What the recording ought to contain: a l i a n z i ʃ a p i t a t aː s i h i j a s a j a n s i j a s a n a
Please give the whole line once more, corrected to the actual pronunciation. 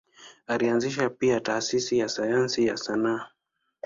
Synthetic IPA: a l i a n z i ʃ a p i a t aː s i s i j a s a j a n s i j a s a n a